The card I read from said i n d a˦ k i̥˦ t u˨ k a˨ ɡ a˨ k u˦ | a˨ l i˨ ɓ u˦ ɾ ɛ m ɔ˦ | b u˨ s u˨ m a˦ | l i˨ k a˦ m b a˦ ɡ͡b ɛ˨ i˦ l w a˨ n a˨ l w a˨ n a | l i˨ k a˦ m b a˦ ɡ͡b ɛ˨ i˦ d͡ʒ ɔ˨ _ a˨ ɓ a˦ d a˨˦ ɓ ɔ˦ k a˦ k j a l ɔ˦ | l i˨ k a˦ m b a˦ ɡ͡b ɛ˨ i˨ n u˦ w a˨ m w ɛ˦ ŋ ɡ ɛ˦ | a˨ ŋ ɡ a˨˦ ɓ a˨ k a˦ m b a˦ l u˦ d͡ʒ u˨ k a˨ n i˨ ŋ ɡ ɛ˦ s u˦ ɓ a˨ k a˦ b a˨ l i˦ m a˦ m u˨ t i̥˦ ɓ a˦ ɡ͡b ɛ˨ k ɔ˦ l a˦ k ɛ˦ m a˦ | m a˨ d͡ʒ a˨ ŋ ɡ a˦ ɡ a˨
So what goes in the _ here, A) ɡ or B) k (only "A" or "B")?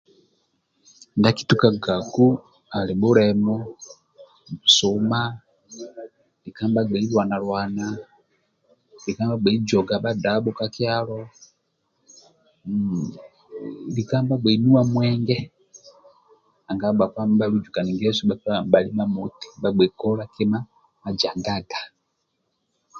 A